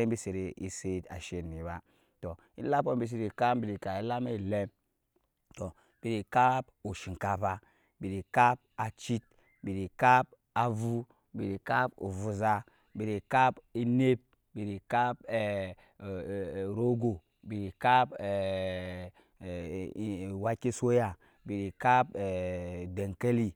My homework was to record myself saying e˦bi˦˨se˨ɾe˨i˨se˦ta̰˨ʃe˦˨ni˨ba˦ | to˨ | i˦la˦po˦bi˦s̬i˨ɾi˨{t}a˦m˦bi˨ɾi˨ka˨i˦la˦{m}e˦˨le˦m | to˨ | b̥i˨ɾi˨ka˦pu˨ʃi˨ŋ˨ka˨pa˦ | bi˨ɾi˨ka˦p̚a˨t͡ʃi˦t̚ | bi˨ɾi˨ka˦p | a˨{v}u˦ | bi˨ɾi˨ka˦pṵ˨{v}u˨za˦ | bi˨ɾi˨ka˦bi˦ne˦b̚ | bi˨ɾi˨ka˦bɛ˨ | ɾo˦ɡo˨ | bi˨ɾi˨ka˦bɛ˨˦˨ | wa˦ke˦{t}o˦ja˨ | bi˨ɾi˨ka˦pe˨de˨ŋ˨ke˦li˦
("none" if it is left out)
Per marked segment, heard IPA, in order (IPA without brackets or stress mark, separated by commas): k, m, v, v, s